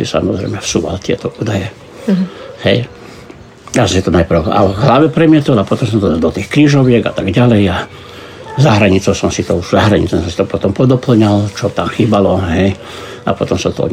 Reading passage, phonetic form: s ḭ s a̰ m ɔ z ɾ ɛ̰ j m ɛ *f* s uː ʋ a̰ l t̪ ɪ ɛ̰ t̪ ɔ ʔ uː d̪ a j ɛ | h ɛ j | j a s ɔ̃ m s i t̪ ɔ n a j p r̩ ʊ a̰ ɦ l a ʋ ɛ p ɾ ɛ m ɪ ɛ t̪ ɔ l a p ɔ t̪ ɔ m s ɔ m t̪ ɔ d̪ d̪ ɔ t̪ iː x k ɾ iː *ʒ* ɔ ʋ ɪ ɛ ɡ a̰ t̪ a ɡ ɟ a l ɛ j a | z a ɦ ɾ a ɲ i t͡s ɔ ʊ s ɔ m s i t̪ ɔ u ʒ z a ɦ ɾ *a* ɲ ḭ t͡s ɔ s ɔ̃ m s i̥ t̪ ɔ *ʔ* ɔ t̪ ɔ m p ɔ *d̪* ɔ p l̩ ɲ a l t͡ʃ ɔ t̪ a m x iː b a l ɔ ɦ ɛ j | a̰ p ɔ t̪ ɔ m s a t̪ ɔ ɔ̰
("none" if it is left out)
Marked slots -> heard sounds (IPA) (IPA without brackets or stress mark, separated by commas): f, ʒ, a, p, d̪